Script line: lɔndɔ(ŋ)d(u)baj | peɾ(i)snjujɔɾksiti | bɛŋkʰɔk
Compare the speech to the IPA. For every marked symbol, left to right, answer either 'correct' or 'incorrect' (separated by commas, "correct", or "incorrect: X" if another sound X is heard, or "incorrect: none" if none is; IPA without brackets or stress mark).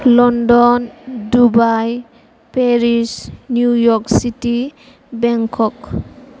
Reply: incorrect: n, correct, correct